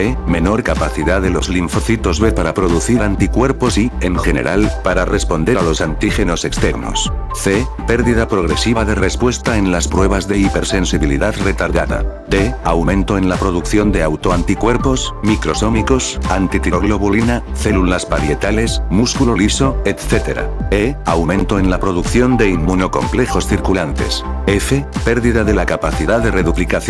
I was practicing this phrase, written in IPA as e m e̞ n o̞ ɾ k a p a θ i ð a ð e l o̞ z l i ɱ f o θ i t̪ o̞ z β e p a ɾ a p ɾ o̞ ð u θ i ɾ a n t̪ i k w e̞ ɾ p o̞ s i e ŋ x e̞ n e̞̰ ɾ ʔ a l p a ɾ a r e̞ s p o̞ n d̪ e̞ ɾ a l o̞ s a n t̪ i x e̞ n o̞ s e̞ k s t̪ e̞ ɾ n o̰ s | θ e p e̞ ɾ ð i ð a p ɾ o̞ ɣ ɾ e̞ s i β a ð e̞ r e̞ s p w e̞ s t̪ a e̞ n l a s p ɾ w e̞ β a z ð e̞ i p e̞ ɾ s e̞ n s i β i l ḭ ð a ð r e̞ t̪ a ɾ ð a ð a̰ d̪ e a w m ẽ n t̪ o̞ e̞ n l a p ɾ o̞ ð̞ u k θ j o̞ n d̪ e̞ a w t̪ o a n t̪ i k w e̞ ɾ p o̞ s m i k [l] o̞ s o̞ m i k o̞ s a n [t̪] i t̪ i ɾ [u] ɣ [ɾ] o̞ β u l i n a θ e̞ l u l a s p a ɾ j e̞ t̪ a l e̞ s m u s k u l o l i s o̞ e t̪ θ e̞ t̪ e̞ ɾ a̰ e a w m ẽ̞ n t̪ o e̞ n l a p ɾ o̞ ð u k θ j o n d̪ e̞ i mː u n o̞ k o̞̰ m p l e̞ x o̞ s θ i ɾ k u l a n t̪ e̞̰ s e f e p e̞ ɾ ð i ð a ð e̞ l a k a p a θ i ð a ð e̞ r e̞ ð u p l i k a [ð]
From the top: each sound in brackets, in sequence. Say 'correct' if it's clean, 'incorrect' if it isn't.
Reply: incorrect: ɾ, correct, incorrect: o, incorrect: l, incorrect: θ

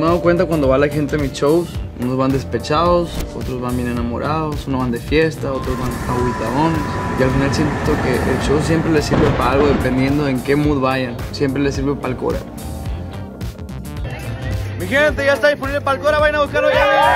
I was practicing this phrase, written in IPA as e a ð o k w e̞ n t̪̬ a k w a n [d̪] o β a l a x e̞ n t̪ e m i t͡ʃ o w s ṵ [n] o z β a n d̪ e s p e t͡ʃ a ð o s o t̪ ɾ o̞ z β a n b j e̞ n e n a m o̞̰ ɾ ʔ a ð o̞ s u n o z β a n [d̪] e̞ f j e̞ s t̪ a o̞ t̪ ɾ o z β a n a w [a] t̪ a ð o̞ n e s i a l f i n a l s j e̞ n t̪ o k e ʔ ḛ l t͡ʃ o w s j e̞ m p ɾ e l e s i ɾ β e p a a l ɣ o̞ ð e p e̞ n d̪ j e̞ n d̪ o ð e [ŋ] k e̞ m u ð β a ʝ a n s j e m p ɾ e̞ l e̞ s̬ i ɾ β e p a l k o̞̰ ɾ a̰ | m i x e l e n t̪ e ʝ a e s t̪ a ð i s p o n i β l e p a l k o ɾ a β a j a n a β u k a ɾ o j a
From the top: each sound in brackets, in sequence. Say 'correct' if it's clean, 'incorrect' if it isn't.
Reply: correct, correct, correct, incorrect: i, correct

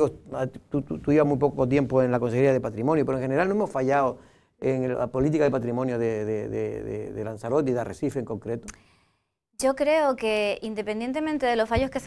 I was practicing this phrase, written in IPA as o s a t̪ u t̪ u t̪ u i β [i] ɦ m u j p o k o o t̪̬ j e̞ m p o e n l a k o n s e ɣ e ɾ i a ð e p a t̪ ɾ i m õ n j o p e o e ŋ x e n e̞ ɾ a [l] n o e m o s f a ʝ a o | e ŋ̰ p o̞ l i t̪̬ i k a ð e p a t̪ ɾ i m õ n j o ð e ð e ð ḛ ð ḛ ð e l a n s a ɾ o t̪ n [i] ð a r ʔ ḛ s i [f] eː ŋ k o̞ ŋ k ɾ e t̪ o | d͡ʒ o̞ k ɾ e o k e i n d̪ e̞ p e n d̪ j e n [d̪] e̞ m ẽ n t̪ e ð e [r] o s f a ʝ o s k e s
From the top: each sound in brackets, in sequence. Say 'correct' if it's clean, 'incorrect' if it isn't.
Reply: incorrect: a, correct, correct, correct, incorrect: t̪, incorrect: l

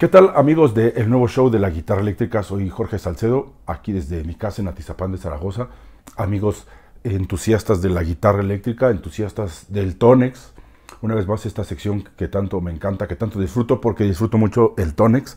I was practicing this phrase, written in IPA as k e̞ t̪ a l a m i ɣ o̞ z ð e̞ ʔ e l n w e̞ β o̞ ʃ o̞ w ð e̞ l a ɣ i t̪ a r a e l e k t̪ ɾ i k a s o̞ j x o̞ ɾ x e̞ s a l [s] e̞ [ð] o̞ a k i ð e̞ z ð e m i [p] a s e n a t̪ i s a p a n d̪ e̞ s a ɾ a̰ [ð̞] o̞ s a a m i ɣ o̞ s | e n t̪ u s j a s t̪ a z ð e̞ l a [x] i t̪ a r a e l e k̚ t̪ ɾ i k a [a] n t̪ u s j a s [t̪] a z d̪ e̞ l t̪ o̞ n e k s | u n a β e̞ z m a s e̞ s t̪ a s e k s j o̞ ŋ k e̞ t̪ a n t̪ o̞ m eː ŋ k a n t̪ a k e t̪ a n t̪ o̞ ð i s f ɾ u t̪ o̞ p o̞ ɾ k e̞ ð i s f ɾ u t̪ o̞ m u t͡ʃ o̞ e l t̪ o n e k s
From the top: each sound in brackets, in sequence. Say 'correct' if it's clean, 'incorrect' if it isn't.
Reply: correct, correct, incorrect: k, incorrect: ɣ̞, incorrect: ɣ, incorrect: e, correct

